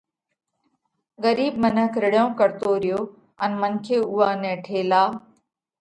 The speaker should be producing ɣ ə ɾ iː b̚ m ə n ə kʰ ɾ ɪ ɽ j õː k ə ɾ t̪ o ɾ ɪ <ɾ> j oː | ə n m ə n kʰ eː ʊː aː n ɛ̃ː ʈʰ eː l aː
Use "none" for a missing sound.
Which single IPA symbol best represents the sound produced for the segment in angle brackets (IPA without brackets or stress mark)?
none